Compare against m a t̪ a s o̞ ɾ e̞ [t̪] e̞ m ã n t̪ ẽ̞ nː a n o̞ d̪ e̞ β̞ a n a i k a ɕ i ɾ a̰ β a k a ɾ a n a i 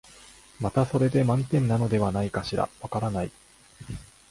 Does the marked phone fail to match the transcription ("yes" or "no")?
yes